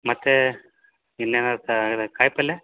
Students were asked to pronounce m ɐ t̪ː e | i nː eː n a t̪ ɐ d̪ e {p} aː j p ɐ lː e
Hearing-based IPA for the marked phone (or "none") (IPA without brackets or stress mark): k